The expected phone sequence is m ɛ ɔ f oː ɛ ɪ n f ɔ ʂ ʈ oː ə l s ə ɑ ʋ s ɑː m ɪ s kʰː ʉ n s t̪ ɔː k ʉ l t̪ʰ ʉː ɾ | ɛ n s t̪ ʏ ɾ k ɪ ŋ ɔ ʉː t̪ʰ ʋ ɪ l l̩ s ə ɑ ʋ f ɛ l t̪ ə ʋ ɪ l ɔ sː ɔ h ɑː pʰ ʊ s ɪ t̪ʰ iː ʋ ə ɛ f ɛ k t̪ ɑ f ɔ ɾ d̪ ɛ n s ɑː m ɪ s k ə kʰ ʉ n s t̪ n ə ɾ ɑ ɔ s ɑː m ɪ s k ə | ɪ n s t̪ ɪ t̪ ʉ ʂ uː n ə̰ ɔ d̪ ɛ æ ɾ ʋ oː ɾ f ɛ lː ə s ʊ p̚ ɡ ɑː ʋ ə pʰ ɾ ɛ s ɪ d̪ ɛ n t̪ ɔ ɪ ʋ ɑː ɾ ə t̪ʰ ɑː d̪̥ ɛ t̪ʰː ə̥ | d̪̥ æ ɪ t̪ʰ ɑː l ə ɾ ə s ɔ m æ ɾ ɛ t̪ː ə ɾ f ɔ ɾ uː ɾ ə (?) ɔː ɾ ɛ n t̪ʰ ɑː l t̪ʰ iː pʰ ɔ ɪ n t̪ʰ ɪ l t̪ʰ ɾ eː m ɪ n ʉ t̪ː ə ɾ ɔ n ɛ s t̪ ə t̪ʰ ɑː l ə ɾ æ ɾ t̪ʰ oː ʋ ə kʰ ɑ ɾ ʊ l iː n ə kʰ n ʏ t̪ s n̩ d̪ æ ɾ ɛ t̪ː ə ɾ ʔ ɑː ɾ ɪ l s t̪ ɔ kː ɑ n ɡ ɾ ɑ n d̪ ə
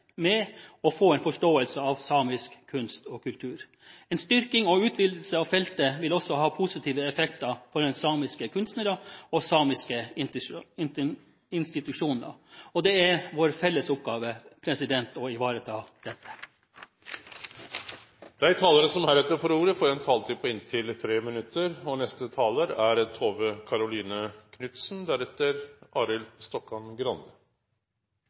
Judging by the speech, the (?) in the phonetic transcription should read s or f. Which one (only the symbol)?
f